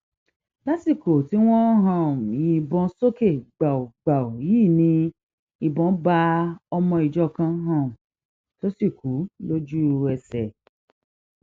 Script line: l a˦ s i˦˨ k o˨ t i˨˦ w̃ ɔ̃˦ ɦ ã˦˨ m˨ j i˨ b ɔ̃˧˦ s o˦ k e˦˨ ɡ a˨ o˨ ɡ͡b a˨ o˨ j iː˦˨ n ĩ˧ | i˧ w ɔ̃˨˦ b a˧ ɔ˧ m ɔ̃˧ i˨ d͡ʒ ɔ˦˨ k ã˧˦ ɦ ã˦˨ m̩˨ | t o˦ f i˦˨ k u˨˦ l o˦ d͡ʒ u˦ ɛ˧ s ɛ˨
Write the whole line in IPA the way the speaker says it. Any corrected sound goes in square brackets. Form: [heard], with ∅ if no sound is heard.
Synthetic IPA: l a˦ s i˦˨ k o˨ t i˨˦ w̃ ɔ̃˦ ɦ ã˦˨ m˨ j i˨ b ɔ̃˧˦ s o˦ k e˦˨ [ɡ͡b] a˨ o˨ ɡ͡b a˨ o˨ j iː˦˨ n ĩ˧ | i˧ [b] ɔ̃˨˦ b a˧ ɔ˧ m ɔ̃˧ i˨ d͡ʒ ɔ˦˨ k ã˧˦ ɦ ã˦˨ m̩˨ | t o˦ [s] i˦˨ k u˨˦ l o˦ d͡ʒ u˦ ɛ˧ s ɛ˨